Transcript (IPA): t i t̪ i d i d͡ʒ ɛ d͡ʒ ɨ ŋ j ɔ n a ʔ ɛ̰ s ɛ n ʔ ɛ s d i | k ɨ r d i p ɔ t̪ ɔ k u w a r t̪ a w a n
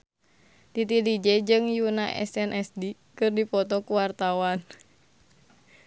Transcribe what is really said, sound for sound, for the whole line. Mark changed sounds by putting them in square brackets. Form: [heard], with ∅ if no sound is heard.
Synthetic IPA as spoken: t i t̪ i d i d͡ʒ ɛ d͡ʒ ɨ ŋ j [u] n a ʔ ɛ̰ s ɛ n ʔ ɛ s d i | k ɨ r d i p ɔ t̪ ɔ k u w a r t̪ a w a n